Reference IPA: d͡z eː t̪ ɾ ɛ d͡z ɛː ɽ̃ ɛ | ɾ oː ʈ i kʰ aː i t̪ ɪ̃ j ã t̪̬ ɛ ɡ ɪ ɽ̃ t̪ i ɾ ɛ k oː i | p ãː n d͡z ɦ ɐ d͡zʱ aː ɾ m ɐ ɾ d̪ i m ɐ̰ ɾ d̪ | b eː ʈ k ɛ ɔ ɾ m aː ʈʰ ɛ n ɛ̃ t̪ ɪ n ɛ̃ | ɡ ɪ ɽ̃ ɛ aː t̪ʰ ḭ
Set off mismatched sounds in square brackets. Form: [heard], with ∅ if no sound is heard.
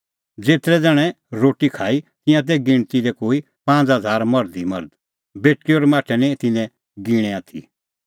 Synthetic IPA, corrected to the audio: d͡z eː t̪ ɾ ɛ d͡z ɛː ɽ̃ ɛ | ɾ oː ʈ i kʰ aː i t̪ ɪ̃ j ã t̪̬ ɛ ɡ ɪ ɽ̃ t̪ i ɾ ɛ k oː i | p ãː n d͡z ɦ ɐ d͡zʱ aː ɾ m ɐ ɾ d̪ i m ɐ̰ ɾ d̪ | b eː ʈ k [i] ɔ ɾ m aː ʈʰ ɛ n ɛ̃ t̪ ɪ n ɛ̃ | ɡ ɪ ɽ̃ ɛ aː t̪ʰ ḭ